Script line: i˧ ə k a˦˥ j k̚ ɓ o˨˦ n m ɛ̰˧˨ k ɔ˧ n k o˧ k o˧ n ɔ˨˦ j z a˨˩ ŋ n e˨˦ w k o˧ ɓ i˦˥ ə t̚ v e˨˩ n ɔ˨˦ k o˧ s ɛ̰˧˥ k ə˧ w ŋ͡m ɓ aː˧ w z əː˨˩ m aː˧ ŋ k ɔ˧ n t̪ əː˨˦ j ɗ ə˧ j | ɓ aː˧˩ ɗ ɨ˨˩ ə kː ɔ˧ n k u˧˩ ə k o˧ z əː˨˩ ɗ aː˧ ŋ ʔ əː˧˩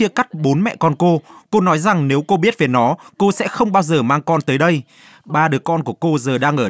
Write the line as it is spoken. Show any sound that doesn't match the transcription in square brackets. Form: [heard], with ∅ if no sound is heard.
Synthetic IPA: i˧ ə k a˦˥ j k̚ ɓ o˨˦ n m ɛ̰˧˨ k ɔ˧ n k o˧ k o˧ n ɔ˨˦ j z a˨˩ ŋ n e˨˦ w k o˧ ɓ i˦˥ ə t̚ v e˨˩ n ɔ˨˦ k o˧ s ɛ̰˧˥ [x] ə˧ w ŋ͡m ɓ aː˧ w z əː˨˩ m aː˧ ŋ k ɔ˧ n t̪ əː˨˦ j ɗ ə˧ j | ɓ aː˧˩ ɗ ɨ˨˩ ə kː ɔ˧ n k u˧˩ ə k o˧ z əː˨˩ ɗ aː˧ ŋ ʔ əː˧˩